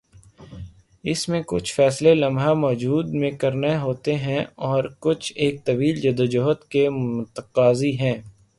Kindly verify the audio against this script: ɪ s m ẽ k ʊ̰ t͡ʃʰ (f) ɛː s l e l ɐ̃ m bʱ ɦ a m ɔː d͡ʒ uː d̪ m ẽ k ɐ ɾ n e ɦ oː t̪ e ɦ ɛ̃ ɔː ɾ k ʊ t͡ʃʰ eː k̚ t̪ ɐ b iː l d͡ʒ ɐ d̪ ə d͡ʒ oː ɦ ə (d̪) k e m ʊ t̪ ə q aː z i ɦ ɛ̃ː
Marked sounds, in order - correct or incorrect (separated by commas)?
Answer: correct, incorrect